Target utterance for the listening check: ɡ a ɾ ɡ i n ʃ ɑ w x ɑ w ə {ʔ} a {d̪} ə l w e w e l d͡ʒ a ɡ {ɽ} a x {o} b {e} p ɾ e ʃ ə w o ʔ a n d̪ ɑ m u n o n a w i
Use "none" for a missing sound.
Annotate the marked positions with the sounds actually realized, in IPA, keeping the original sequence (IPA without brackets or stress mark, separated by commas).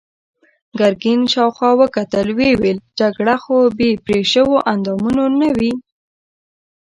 k, t̪, ɽ, o, e